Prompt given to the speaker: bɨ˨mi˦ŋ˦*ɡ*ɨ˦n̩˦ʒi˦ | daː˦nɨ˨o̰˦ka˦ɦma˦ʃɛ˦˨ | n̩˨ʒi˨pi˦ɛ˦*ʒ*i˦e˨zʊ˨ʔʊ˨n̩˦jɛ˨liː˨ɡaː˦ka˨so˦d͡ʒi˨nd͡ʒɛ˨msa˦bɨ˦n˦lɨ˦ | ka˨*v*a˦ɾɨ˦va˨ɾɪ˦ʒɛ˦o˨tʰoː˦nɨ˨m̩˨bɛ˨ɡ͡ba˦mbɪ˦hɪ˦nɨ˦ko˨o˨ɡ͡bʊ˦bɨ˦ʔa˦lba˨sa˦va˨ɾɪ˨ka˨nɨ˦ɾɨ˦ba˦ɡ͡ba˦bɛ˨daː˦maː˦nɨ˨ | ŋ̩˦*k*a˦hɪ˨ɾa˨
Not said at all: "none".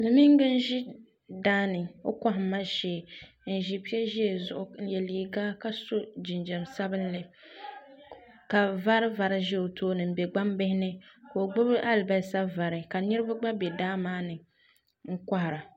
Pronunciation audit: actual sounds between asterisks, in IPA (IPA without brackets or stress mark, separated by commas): ɡ, ʒ, v, k